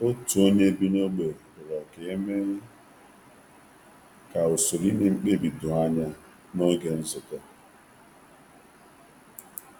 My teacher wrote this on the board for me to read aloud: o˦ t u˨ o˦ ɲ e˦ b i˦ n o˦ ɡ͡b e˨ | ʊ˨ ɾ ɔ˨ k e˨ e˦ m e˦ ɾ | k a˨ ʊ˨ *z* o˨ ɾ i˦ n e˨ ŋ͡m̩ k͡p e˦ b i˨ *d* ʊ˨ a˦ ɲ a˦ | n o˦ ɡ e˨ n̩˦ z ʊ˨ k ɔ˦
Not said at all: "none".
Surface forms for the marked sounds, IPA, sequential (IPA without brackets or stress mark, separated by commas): s, d